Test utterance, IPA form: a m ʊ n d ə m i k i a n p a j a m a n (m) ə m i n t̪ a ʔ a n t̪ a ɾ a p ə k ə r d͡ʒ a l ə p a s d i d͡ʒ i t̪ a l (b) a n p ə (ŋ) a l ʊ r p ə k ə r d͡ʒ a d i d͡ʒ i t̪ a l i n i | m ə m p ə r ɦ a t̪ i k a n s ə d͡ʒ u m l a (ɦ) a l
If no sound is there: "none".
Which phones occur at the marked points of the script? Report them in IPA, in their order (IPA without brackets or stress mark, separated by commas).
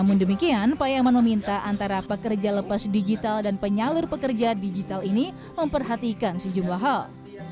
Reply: m, d, ɲ, ɦ